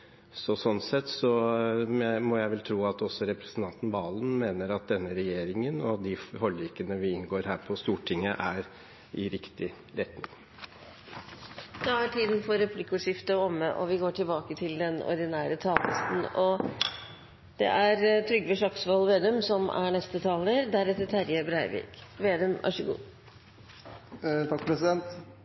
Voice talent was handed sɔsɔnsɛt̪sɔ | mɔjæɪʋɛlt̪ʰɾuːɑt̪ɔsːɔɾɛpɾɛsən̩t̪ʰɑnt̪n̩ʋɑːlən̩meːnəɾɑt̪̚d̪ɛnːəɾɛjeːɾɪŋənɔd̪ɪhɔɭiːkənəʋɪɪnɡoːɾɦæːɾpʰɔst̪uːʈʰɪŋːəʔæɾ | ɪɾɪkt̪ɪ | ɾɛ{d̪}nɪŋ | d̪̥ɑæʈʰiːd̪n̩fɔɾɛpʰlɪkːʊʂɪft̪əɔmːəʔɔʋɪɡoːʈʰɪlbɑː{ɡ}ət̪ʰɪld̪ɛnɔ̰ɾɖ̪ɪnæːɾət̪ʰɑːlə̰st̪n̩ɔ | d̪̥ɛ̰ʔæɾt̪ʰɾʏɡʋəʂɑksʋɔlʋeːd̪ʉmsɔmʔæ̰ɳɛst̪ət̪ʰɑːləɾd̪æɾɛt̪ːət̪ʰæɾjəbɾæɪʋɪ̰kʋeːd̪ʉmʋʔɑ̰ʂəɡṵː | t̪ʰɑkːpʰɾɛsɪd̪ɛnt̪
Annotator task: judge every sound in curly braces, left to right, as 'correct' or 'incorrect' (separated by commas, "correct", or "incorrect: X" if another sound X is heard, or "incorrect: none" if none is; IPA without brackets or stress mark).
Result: incorrect: t̪, incorrect: k